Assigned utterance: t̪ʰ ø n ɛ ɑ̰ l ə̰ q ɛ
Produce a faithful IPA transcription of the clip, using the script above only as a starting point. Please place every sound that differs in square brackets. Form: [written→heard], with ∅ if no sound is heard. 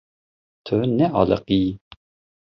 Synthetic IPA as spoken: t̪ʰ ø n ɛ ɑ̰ l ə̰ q [ɛ→i]